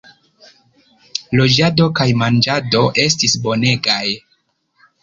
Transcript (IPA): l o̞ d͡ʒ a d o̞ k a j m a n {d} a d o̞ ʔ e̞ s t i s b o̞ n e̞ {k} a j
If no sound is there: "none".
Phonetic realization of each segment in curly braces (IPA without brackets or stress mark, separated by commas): d͡ʒ, ɡ